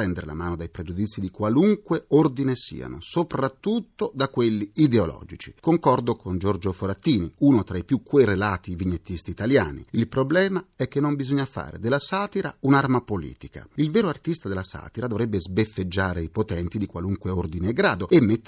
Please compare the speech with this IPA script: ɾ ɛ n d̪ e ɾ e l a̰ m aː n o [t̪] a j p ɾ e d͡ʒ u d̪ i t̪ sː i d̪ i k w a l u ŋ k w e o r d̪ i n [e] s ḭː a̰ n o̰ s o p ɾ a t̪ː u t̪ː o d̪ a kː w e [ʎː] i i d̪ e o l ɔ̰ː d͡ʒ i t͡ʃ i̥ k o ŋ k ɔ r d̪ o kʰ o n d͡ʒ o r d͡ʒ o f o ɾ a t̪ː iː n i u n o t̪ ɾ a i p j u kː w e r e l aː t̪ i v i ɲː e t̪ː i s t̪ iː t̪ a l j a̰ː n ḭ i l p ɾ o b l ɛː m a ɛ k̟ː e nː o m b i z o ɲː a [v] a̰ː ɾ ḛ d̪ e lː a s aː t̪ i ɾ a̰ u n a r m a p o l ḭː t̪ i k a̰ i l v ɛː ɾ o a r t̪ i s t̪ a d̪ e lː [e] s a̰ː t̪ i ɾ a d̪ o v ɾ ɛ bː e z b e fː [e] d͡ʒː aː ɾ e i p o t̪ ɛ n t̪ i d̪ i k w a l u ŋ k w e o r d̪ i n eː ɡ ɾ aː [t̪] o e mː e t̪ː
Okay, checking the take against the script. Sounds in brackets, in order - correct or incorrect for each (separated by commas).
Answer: incorrect, correct, incorrect, incorrect, incorrect, correct, incorrect